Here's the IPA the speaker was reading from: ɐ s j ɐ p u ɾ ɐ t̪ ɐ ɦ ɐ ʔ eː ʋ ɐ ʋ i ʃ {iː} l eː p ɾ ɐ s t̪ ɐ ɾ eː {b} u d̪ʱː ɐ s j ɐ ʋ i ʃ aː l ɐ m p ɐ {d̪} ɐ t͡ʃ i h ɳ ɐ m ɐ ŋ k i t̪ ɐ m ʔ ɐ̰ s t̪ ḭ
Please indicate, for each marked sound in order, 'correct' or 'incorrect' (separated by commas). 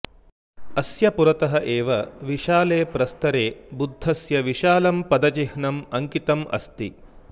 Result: incorrect, correct, correct